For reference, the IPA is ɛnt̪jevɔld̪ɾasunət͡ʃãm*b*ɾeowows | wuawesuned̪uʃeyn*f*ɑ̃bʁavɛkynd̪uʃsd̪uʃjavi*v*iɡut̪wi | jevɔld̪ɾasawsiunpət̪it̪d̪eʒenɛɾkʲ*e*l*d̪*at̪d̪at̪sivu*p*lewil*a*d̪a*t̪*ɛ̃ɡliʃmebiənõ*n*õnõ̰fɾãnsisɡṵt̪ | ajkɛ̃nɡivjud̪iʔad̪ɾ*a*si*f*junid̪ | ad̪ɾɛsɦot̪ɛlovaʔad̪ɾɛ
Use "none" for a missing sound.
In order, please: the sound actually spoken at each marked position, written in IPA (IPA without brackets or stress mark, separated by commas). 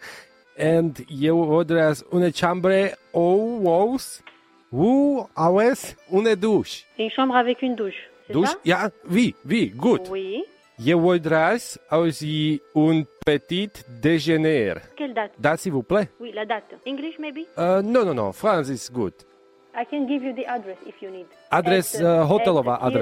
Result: b, ʃ, v, ɛ, d̪, p, a, t̪, n, ɛ, f